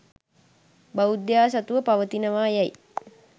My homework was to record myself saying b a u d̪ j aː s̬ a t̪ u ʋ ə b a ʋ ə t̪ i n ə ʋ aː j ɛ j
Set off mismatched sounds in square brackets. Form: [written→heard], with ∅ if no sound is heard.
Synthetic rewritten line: b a u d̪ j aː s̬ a t̪ u ʋ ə [b→p] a ʋ ə t̪ i n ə ʋ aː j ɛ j